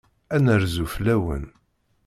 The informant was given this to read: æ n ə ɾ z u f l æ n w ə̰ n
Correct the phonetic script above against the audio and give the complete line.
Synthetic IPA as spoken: æ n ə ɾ z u f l æ w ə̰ n